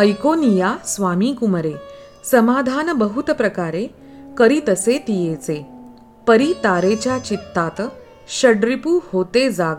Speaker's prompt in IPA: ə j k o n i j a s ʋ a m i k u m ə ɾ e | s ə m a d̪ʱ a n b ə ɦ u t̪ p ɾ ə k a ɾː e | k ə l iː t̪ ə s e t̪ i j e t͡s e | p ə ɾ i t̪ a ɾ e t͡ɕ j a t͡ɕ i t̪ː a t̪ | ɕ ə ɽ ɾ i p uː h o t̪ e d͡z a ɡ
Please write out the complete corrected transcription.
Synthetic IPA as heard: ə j k o n i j a s ʋ a m i k u m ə ɾ e | s ə m a d̪ʱ a n b ə ɦ u t̪ p ɾ ə k a ɾ e | k ə ɾ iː t̪ ə s e t̪ i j e t͡s e | p ə ɾ i t̪ a ɾ e t͡ɕ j a t͡ɕ i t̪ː a t̪ | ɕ ə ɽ ɾ i p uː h o t̪ e d͡z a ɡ